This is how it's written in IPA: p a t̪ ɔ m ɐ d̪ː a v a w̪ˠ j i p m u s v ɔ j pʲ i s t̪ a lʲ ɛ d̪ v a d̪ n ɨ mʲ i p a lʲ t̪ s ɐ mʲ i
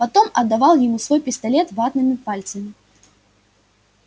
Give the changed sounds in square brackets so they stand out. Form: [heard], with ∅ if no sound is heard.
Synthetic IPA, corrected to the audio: p a t̪ ɔ m ɐ d̪ː a v a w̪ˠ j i [∅] m u s v ɔ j pʲ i s t̪ a lʲ ɛ [t̪] v a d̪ n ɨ mʲ i p a lʲ t̪ s ɐ mʲ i